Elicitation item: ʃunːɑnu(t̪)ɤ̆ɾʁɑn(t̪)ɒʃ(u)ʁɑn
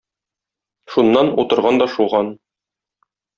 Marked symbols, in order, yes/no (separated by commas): yes, no, yes